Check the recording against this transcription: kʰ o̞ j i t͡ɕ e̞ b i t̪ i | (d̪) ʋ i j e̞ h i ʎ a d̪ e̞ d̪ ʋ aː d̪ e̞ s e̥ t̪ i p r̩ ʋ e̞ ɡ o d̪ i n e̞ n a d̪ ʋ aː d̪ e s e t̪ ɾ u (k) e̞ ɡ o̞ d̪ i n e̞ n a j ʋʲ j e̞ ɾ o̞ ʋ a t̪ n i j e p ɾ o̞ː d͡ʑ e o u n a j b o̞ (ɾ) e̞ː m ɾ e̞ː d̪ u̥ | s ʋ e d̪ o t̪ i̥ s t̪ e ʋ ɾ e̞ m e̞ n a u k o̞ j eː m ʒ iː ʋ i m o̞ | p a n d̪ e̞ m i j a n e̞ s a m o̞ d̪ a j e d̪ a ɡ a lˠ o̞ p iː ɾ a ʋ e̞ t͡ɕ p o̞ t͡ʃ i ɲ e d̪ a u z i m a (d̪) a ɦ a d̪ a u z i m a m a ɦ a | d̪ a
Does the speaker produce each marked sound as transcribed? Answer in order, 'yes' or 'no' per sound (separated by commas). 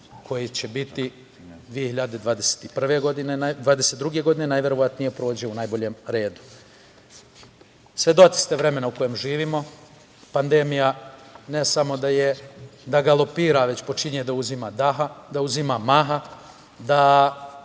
yes, no, no, yes